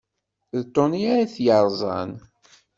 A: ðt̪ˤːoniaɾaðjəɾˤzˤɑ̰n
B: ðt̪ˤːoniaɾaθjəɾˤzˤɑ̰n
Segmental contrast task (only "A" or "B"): B